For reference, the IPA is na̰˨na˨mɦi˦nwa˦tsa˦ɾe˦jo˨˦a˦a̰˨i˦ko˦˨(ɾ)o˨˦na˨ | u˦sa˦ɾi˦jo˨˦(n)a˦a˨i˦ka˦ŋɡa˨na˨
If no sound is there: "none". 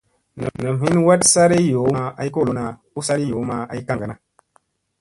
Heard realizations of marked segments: l, m

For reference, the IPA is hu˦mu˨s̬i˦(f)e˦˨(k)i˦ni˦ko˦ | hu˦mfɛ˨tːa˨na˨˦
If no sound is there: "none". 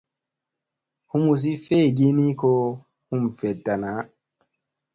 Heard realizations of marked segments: f, ɡ

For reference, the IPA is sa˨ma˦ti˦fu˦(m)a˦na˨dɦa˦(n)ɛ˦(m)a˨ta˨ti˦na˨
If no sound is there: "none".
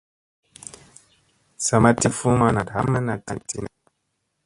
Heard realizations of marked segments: m, m, n

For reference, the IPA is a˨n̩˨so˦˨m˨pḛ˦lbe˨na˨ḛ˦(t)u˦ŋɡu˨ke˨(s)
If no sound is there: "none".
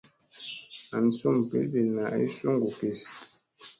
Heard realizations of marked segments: s, s

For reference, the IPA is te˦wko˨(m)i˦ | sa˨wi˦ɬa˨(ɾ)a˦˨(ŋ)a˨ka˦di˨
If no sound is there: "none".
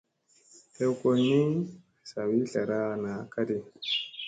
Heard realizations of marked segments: n, ɾ, n

